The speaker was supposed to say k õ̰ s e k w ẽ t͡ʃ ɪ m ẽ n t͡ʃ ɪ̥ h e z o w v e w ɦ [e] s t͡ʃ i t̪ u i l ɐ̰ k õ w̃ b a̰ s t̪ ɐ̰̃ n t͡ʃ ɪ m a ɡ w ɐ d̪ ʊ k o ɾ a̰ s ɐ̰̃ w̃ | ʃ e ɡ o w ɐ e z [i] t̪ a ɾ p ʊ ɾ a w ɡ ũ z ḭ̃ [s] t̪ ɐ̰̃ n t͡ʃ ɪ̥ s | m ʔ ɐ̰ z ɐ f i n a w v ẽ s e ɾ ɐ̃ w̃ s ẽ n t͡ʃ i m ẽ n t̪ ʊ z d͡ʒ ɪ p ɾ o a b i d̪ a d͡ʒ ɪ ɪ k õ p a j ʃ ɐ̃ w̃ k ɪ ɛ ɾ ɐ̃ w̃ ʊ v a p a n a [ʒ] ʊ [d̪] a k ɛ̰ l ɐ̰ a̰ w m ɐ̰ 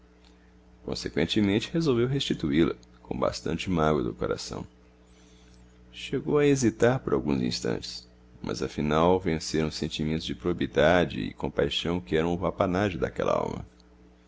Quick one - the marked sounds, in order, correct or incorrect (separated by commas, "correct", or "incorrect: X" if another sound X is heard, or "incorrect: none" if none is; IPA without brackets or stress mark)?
correct, correct, correct, correct, correct